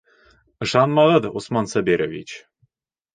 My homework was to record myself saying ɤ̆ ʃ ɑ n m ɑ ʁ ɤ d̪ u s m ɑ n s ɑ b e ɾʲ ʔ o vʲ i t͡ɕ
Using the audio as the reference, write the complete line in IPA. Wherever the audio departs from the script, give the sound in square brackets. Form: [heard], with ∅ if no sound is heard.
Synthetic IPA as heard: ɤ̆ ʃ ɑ n m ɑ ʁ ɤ d̪ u s m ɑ n s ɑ b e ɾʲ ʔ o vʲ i t͡ɕ